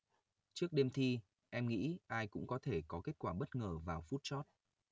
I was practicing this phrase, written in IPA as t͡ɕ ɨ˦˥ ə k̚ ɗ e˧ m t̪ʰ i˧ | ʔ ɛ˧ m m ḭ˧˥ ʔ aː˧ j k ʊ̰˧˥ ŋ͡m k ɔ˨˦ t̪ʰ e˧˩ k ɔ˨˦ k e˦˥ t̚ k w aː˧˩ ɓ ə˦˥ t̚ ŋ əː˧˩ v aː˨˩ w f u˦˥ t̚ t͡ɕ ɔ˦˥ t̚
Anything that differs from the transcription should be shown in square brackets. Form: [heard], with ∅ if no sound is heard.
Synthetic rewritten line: t͡ɕ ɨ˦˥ ə k̚ ɗ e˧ m t̪ʰ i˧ | ʔ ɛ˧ m [ŋ] ḭ˧˥ ʔ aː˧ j k ʊ̰˧˥ ŋ͡m k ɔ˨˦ t̪ʰ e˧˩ k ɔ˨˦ k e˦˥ t̚ k w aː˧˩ ɓ ə˦˥ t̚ ŋ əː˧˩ v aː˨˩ w f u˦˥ t̚ t͡ɕ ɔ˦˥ t̚